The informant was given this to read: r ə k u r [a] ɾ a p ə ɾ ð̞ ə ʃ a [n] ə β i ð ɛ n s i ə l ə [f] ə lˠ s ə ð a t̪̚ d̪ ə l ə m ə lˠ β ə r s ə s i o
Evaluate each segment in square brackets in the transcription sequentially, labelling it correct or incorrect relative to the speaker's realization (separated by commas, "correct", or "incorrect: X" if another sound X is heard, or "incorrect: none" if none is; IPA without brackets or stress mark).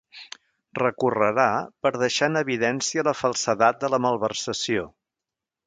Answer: incorrect: ə, correct, correct